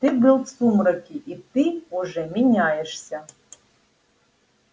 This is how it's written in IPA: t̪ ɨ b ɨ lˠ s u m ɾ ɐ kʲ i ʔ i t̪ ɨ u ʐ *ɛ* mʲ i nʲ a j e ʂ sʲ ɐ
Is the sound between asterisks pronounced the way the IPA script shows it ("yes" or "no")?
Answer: yes